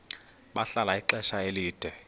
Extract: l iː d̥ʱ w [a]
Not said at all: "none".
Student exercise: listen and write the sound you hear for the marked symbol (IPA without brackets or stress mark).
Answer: ɛ